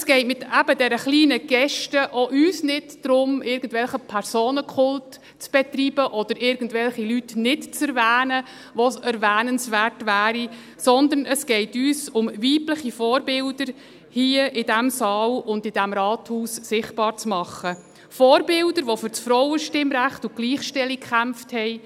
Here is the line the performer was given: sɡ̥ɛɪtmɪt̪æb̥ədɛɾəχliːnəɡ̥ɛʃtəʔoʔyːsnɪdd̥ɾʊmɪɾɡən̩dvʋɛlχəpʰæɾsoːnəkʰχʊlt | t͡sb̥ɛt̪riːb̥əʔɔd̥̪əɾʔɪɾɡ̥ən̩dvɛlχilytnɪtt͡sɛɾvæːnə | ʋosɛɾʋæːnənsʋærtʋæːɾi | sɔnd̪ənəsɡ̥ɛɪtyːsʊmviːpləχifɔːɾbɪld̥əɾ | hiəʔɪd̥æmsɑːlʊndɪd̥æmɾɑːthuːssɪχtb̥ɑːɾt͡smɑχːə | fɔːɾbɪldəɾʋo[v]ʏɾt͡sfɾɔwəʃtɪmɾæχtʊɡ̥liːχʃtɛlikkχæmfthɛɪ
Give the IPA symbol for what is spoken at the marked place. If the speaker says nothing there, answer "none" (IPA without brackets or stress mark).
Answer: f